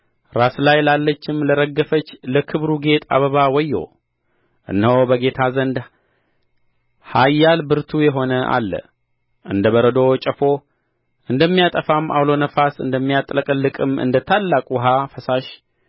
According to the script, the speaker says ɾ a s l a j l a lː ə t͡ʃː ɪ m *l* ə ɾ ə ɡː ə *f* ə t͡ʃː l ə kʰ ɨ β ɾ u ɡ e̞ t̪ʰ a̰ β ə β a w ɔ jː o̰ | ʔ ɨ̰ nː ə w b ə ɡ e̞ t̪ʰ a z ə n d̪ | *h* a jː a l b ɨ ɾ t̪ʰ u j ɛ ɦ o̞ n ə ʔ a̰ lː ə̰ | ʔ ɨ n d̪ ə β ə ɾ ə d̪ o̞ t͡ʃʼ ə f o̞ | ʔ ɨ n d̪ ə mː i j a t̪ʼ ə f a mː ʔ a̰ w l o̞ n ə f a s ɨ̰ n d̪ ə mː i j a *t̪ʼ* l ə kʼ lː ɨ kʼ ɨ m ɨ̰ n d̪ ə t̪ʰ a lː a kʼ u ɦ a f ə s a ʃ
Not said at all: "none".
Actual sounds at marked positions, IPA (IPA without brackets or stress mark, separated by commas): l, f, h, t̪ʼ